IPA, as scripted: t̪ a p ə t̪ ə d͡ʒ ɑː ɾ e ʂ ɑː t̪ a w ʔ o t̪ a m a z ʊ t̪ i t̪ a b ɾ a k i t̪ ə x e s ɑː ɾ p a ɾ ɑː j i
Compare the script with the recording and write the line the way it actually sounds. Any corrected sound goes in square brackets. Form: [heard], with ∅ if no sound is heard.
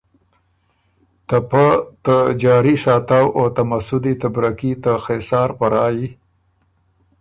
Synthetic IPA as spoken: t̪ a p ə t̪ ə d͡ʒ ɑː ɾ [i] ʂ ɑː t̪ a w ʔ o t̪ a m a [s] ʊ [d̪] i t̪ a b ɾ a k i t̪ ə x e s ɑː ɾ p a ɾ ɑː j i